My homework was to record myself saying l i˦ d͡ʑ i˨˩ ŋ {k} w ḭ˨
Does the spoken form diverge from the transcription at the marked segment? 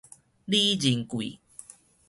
no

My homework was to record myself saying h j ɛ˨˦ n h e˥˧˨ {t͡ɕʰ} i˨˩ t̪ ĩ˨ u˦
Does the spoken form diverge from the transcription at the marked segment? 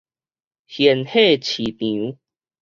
no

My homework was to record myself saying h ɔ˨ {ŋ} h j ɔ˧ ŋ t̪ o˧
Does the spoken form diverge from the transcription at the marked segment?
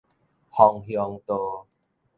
no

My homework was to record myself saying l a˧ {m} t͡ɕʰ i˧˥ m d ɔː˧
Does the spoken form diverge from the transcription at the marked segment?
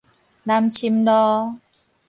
no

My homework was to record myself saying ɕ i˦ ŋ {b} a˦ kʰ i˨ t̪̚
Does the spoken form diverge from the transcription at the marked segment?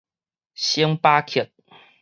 yes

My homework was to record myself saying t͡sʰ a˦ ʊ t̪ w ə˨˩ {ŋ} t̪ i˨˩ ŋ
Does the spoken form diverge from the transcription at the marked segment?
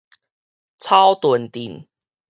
yes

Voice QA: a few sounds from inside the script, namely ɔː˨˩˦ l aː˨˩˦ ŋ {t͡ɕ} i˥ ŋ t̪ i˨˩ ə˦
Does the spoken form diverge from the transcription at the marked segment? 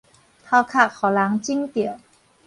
no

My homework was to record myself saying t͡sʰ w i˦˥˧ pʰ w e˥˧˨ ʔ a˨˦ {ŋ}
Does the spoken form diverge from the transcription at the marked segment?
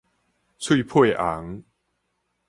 no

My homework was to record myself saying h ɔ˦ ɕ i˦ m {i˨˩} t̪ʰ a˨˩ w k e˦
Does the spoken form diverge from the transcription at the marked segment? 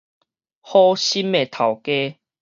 yes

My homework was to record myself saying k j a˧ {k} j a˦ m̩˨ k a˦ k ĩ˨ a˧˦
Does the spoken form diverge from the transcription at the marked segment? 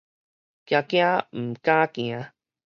no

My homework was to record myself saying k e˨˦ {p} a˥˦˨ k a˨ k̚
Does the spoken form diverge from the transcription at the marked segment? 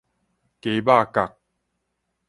yes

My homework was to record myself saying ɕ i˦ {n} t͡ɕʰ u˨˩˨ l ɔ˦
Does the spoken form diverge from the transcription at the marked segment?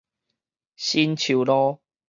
no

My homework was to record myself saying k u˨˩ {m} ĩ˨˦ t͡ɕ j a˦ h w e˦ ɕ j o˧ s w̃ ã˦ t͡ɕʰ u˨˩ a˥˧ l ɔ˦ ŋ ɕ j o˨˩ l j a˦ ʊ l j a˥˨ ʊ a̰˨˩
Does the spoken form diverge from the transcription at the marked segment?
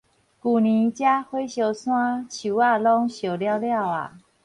yes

